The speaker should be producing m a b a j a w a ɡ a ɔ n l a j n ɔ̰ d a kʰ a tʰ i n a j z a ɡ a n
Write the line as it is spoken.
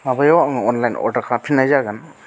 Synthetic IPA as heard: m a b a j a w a ŋ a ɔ n l a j n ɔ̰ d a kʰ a pʰ i n a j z a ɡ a n